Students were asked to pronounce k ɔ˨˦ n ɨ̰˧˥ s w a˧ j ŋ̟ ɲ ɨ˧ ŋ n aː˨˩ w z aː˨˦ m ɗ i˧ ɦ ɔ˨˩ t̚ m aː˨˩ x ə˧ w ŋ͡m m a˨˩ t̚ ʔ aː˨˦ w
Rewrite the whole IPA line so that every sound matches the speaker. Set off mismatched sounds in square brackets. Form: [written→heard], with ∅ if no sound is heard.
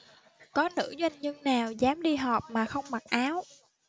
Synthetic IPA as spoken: k ɔ˨˦ n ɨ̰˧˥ [s→z] w a˧ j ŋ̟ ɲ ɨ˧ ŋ n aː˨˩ w z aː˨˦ m ɗ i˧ ɦ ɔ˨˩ [t̚→p̚] m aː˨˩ x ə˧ w ŋ͡m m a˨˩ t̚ ʔ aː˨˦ w